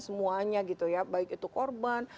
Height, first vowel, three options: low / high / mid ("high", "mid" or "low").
mid